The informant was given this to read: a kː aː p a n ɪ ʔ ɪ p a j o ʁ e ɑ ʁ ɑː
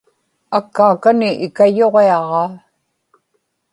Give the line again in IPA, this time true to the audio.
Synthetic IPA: a kː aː k a n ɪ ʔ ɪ k a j o ʁ e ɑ ʁ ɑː